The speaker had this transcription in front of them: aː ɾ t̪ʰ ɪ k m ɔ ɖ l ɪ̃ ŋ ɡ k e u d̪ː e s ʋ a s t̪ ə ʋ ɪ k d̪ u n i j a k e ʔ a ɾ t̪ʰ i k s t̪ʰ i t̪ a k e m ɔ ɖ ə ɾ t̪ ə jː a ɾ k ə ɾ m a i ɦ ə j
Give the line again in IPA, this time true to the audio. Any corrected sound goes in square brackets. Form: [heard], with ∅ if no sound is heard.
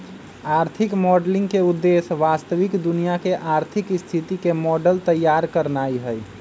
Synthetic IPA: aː ɾ t̪ʰ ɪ k m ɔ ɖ l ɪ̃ ŋ ɡ k e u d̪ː e s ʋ a s t̪ ə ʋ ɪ k d̪ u n i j a k e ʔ a ɾ t̪ʰ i k s t̪ʰ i t̪ [i] k e m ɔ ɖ ə [l] t̪ ə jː a ɾ k ə ɾ [n] a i ɦ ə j